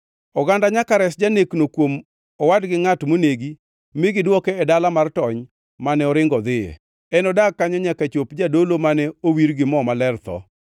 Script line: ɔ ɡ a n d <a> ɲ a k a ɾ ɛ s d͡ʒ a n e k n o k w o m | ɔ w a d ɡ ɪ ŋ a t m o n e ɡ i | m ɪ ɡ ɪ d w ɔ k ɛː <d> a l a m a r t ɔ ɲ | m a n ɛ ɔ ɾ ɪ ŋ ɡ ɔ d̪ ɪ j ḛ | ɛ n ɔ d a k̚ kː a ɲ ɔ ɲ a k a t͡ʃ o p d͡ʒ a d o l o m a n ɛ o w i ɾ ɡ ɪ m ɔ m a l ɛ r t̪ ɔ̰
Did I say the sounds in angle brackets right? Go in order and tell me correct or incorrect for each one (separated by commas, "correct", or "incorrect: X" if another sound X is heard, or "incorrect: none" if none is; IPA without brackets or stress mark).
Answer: correct, correct